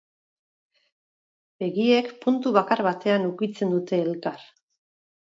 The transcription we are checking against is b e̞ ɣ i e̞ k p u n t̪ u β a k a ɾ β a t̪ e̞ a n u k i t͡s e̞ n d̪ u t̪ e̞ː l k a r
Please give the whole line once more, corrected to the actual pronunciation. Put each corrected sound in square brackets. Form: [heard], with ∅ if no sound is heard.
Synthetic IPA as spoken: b e̞ ɣ i e̞ k p u n t̪ u β a k a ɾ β a t̪ e̞ a n u k i t͡s e̞ n d̪ u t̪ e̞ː l k a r